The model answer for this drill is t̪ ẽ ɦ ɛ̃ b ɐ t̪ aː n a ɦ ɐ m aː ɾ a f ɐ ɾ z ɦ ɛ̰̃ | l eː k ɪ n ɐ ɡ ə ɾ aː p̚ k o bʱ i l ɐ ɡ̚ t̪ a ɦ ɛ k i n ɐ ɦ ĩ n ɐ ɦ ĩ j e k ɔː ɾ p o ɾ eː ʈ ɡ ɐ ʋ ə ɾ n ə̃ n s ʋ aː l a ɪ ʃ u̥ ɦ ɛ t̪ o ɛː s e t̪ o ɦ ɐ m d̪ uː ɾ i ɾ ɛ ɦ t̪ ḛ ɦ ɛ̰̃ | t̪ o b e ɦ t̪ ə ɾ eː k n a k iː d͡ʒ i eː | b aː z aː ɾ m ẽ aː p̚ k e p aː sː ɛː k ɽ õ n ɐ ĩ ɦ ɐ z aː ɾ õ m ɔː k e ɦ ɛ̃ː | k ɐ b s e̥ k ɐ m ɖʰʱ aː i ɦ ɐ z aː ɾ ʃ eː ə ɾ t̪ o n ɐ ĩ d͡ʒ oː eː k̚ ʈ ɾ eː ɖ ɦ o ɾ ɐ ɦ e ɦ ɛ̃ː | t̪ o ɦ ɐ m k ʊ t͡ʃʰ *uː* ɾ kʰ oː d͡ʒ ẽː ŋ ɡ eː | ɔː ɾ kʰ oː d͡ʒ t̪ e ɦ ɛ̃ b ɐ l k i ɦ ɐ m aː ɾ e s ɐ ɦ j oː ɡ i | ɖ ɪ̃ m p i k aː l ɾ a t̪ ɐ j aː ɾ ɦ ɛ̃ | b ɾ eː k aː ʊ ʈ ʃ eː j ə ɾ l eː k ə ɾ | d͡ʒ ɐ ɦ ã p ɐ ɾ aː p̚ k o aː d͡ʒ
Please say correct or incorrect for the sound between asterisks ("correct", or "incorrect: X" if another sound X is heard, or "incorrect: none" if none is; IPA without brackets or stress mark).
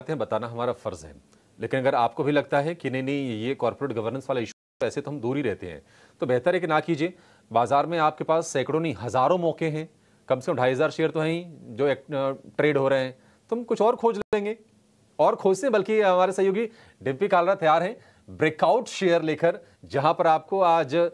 incorrect: ɔː